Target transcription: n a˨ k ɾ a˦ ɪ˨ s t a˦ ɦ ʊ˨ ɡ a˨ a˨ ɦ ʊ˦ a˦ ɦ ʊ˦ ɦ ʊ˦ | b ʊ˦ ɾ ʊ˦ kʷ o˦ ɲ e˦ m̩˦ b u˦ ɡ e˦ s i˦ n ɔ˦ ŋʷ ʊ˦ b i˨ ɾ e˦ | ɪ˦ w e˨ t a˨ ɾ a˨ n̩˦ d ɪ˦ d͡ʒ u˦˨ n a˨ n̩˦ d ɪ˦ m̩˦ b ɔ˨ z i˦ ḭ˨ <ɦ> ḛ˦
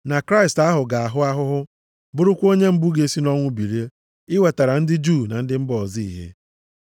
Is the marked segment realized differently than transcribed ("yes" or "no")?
no